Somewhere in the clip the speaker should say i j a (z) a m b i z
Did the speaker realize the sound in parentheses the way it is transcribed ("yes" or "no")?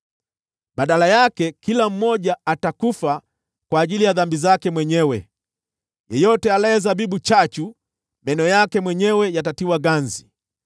no